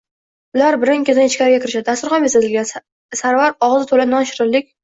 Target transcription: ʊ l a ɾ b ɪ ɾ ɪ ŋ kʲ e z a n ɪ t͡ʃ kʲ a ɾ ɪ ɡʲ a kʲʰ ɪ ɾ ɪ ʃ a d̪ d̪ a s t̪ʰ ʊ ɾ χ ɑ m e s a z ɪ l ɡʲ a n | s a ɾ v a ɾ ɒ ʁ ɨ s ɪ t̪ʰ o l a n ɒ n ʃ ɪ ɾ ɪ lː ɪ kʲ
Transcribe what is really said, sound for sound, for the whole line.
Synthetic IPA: ʊ l a ɾ b ɪ ɾ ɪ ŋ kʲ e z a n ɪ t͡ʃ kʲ a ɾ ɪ ɡʲ a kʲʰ ɪ ɾ ɪ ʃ a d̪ d̪ a s t̪ ʊ ɾ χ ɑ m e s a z ɪ l ɡʲ a n | s a ɾ v a ɾ ɒ ʁ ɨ z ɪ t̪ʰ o l a n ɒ n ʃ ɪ ɾ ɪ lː ɪ kʲ